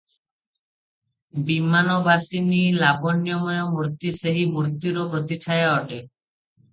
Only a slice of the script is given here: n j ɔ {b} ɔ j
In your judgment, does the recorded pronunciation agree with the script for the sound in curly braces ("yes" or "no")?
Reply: no